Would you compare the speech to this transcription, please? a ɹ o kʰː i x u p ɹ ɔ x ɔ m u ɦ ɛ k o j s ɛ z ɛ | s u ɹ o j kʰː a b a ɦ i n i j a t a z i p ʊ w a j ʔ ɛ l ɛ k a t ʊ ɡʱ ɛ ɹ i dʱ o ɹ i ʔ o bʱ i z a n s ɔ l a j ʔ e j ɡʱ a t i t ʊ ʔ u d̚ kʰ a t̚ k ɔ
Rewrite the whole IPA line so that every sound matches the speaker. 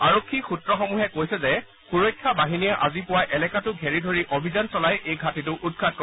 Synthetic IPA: a ɹ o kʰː i x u t ɹ ɔ x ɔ m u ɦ ɛ k o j s ɛ z ɛ | x u ɹ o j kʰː a b a ɦ i n i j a ʔ a z i p ʊ w a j ʔ ɛ l ɛ k a t ʊ ɡʱ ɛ ɹ i dʱ o ɹ i ʔ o bʱ i z a n s ɔ l a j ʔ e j ɡʱ a t i t ʊ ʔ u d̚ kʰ a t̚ k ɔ